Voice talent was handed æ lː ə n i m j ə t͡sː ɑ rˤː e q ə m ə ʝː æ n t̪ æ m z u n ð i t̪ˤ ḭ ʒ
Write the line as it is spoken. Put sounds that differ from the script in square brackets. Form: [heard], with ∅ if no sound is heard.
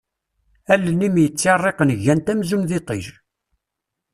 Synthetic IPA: æ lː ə n i m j ə t͡sː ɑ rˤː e q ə [n] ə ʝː æ n t̪ æ m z u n ð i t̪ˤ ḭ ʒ